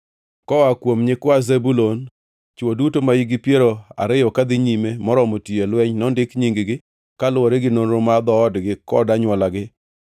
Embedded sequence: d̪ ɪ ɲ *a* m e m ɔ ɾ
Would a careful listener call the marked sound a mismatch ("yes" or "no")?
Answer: yes